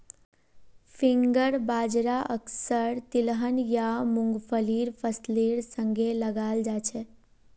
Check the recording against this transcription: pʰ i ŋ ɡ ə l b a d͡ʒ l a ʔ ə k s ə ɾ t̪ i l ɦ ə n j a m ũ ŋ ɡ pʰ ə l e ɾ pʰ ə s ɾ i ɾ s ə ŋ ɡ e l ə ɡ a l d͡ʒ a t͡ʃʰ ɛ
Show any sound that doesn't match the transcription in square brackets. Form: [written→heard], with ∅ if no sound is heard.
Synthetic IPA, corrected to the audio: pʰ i ŋ ɡ ə [l→ɾ] b a d͡ʒ [l→ɾ] a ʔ ə k s ə ɾ t̪ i l ɦ ə n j a m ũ ŋ ɡ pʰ ə l [e→i] ɾ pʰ ə s [ɾ→l] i ɾ s ə ŋ ɡ e l ə ɡ a l d͡ʒ a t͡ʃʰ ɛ